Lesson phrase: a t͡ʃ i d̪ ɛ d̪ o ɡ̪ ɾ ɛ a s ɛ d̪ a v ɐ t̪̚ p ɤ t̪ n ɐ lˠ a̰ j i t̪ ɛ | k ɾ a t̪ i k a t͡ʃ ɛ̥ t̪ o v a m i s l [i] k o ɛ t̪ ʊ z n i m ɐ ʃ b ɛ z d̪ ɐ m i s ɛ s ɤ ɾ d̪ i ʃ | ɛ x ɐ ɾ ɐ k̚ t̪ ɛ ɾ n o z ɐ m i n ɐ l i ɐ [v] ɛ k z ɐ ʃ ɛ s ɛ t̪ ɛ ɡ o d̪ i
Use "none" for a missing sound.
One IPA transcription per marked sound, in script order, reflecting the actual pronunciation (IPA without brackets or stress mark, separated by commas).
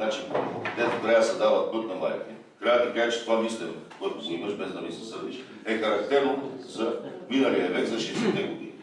ɛ, v